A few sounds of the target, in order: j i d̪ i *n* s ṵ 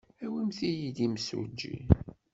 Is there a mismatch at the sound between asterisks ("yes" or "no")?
yes